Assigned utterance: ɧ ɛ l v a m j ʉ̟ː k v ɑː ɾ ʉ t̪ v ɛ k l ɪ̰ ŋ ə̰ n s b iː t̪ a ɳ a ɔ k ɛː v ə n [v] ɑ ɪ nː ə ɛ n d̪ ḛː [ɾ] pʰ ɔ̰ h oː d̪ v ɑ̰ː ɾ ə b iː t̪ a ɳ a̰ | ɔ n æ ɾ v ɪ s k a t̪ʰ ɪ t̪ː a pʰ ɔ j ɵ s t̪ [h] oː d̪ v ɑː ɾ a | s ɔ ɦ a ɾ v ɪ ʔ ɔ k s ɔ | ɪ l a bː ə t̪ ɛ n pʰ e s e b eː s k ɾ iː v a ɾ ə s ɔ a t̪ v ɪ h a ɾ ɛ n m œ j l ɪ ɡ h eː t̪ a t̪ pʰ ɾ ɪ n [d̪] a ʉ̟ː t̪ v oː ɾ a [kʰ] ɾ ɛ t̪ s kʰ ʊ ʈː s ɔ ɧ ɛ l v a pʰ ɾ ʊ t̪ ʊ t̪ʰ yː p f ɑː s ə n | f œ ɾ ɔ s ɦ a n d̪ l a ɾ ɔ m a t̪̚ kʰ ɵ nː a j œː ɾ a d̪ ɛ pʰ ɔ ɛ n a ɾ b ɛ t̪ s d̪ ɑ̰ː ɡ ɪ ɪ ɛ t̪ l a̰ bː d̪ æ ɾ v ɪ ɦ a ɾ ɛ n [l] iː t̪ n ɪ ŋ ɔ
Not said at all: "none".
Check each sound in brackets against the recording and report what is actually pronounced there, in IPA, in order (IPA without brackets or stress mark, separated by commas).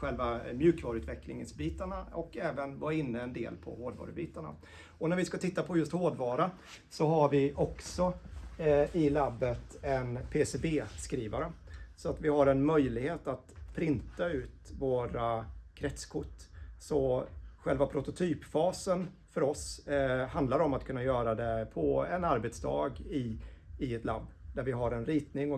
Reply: v, l, h, t̪, kʰ, ɾ